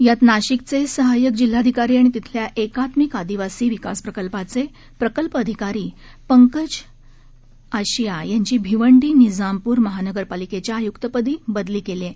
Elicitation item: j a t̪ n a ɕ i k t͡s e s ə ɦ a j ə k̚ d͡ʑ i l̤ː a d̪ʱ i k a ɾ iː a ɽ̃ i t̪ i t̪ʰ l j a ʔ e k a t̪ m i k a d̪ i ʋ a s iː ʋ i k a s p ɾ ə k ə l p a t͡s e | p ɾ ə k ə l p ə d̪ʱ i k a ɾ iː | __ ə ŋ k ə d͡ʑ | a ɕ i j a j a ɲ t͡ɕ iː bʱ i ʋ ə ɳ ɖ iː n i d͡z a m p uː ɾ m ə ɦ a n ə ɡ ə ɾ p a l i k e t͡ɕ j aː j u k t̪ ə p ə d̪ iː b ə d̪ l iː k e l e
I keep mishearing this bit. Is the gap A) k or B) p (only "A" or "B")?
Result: B